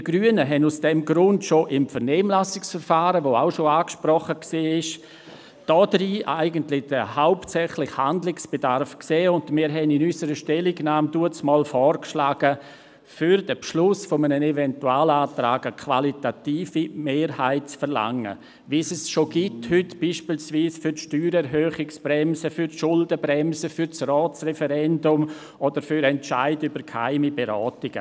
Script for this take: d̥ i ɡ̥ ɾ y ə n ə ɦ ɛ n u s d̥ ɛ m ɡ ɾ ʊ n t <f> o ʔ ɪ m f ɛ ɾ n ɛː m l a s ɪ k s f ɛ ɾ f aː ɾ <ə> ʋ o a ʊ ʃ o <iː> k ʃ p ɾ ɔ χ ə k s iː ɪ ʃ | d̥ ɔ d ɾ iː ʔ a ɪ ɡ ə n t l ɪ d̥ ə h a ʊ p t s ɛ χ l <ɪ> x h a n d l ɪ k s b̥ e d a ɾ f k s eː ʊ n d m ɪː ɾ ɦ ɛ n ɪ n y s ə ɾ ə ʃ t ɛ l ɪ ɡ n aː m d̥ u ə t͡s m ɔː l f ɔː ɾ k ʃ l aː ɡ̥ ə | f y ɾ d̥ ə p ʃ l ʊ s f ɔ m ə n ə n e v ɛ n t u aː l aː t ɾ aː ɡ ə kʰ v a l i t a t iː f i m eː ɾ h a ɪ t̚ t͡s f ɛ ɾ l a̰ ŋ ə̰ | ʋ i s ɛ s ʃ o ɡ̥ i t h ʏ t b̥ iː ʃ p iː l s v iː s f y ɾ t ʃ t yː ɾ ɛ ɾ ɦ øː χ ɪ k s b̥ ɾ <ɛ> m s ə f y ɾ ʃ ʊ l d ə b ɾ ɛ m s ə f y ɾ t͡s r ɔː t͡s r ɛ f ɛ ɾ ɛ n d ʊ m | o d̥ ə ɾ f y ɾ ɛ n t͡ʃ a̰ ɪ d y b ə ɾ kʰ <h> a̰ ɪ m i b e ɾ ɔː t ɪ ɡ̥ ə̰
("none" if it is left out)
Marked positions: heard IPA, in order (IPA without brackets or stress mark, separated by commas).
ʃ, ə, aː, ɪ, ɛ, h